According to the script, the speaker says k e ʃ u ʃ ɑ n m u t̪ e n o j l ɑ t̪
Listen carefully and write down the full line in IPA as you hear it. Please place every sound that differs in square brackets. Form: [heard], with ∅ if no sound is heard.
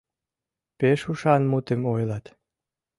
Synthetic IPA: [p] e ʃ u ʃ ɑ n m u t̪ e [m] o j l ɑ t̪